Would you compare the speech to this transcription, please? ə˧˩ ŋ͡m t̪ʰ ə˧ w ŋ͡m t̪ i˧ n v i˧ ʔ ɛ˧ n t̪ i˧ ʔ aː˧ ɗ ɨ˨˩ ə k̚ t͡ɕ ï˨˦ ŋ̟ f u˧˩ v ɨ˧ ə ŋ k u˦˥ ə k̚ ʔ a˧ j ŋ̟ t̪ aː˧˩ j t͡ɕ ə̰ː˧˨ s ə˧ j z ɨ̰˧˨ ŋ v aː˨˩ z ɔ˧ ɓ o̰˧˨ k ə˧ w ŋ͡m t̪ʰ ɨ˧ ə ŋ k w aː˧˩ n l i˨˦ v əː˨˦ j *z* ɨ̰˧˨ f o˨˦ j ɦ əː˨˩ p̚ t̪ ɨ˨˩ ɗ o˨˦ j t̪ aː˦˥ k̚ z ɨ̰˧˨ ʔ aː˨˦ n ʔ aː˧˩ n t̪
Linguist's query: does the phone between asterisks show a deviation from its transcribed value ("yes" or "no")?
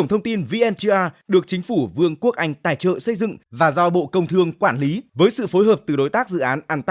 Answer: yes